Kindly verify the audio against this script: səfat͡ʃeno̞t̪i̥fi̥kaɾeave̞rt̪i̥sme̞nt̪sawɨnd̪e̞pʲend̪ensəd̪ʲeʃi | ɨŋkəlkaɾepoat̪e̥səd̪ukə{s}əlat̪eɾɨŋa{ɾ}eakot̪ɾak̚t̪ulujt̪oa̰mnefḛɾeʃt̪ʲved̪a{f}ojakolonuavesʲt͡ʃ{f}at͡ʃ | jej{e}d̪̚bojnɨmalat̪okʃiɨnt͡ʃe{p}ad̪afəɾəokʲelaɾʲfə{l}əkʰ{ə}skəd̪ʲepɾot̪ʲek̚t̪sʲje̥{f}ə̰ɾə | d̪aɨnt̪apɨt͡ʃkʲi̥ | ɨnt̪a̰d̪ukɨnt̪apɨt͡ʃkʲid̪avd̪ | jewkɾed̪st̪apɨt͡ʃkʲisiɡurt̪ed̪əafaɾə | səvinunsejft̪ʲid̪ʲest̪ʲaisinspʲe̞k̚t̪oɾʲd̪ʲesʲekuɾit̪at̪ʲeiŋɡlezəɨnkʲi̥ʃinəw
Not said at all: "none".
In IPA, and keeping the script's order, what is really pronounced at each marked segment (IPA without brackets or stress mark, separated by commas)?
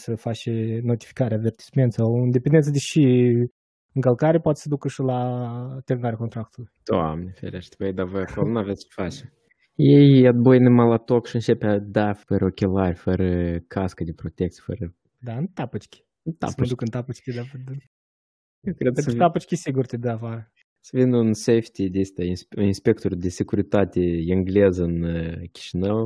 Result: ʃ, ɾ, v, f, a, p, ɾ, a, f